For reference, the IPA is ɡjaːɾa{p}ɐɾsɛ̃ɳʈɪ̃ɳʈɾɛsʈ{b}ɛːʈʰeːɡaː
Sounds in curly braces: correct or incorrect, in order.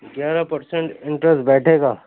correct, correct

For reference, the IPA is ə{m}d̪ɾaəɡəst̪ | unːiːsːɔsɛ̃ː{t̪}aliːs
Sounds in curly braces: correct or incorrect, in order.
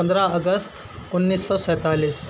incorrect: n, correct

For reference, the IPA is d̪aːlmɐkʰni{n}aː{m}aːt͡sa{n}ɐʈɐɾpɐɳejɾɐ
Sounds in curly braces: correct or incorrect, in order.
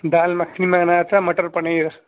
incorrect: m, incorrect: n, incorrect: m

